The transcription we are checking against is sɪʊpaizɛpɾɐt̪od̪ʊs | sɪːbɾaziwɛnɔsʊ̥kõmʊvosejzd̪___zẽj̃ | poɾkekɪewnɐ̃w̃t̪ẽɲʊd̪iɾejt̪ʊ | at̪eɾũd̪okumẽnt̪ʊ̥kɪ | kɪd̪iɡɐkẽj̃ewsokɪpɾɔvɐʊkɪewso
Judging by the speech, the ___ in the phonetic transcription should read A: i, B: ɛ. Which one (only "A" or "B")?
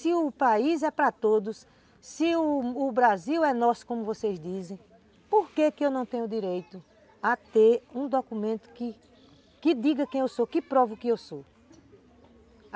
A